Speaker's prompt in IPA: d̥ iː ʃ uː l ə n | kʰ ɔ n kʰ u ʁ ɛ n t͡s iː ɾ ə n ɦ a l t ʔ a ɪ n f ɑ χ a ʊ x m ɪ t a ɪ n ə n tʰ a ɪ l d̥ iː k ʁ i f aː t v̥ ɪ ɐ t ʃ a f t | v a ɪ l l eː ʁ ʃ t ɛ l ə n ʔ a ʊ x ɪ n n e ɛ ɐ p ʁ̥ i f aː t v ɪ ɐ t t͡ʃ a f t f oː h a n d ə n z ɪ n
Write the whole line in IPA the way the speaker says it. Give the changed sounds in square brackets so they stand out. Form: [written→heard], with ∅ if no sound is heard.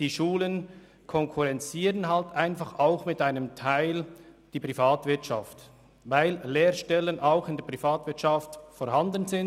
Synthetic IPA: d̥ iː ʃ uː l ə n | kʰ ɔ [n→ŋ] kʰ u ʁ ɛ n t͡s iː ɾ ə n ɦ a l t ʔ a ɪ n f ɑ χ a ʊ x m ɪ t a ɪ n ə [n→m] tʰ a ɪ l d̥ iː [k→p] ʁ i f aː t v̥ ɪ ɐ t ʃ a f t | v a ɪ l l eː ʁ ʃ t ɛ l ə n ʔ a ʊ x ɪ n [n→d] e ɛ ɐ p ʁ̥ i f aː t v ɪ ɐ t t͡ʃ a f t f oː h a n d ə n z ɪ n

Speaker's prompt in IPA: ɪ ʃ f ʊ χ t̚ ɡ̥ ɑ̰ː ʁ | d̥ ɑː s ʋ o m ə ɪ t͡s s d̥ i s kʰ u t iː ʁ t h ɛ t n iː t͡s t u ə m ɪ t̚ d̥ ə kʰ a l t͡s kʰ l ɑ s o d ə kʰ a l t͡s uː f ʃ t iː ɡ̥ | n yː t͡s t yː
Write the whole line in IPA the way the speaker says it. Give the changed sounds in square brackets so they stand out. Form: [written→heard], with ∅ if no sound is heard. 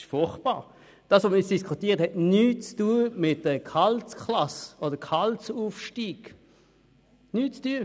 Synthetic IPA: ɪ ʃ f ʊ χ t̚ [ɡ̥→b̥] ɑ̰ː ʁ | d̥ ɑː s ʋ o m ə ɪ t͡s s d̥ i s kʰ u t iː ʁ t h ɛ t n [iː→yː] t͡s t u ə m ɪ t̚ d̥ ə kʰ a l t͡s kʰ l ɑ s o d ə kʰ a l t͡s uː f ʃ t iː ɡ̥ | n yː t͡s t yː

